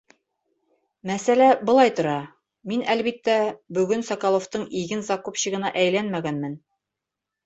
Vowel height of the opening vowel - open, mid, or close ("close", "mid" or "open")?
open